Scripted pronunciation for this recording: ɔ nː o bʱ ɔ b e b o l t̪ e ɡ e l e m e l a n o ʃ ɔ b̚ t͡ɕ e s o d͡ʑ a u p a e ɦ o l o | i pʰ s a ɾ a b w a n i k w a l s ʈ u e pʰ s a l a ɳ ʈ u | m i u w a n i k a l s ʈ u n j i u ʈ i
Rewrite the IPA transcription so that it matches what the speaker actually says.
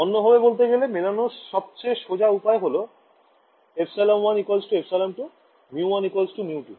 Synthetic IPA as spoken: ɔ nː o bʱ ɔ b e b o l t̪ e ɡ e l e m e l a n o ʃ ɔ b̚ t͡ɕ e ʃ o d͡ʑ a u p a e ɦ o l o | e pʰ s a l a m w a n i k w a l s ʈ u e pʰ s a l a m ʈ u | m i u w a n i k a l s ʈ u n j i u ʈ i